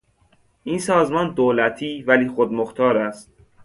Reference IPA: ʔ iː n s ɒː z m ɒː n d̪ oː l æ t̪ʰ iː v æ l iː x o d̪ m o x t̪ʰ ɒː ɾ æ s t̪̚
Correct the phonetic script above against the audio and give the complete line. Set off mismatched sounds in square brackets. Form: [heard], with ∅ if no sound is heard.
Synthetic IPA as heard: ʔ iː n s ɒː z m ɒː n d̪ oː l æ t̪ʰ iː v æ l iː x o d̪ m o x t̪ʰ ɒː ɾ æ s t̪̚